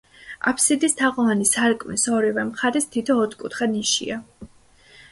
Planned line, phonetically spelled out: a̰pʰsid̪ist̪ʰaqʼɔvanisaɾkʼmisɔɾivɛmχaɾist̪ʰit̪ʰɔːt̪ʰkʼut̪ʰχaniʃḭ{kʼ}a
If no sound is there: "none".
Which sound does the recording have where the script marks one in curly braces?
none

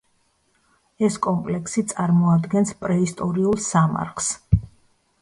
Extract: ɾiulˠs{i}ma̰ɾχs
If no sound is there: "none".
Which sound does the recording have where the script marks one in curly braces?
a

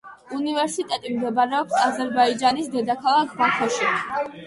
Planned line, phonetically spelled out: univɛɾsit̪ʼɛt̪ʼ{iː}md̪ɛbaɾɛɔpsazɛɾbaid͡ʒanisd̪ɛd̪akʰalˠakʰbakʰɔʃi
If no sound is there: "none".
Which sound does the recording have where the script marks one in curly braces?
i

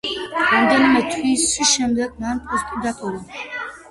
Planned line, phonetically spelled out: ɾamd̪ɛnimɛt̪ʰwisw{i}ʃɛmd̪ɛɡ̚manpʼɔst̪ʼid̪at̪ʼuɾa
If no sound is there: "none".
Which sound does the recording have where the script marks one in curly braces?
i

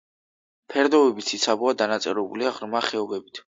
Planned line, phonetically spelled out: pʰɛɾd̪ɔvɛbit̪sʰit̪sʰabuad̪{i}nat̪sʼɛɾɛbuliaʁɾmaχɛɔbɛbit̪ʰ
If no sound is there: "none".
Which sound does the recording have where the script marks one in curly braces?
a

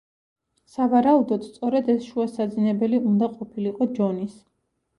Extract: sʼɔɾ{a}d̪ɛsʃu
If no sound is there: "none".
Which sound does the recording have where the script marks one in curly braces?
ɛ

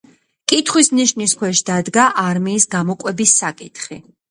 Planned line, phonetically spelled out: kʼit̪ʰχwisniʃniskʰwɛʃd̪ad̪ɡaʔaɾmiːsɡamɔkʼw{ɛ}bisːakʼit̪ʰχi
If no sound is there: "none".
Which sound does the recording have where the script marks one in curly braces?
ɛ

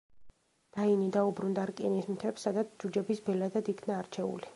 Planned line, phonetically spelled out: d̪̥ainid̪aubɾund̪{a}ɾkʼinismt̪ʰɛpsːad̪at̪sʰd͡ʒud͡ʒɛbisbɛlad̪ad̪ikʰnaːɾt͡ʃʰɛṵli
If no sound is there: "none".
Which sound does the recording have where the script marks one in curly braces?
a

